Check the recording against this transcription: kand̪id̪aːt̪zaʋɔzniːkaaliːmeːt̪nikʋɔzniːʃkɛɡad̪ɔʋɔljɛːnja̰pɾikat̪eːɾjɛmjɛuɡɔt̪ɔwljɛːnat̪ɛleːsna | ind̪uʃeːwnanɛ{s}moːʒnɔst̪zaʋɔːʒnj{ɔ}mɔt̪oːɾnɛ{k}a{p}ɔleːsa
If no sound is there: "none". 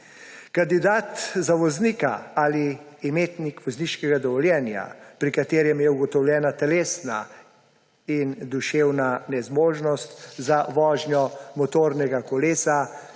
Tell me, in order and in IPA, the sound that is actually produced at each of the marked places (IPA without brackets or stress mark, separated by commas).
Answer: z, ɔ, ɡ, k